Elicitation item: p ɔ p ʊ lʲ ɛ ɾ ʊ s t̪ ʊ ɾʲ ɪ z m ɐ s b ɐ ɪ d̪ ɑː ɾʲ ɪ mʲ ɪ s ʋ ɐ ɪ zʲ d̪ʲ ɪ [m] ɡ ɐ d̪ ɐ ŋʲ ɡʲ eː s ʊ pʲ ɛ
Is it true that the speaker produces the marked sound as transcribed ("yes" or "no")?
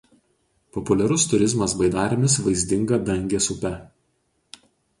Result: no